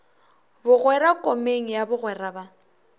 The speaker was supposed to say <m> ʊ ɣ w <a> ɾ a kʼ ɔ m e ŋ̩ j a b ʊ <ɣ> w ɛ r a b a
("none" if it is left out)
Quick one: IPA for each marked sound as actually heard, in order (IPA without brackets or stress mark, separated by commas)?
b, ɛ, ɣ